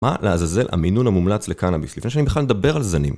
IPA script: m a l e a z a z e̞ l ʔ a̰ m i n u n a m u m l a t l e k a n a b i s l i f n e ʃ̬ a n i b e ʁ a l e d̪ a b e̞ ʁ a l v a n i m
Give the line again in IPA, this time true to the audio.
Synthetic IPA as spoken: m a l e a z a z e̞ l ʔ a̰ m i n u n a m u m l a t͡s l e k a n a b i s l i f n e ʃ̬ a n i b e χ a l e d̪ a b e̞ ʁ a l z a n i m